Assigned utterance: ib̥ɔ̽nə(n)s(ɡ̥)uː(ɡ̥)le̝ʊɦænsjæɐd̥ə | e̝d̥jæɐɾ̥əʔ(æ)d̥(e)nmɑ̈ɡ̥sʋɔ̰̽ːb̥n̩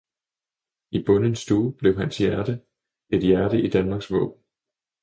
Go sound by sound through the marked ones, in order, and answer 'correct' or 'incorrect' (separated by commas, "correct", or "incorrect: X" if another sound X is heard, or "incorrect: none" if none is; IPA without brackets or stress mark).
correct, incorrect: d̥, incorrect: b̥, incorrect: i, incorrect: æ